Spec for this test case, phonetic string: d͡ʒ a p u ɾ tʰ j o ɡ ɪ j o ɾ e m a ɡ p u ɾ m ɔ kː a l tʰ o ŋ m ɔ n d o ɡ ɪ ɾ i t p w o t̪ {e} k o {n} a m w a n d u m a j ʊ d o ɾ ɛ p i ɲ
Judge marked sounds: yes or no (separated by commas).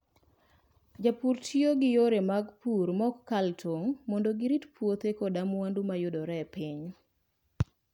yes, no